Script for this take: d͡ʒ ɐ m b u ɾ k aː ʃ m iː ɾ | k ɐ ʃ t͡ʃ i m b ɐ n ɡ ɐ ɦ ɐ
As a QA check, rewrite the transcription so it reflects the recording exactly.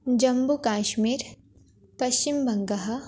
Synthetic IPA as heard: d͡ʒ ɐ m b u k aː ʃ m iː ɾ | p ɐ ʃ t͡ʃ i m b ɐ ŋ ɡ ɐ ɦ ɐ